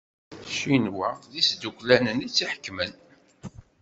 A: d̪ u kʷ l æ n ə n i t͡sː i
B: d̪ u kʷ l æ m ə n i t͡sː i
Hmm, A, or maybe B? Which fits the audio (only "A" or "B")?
A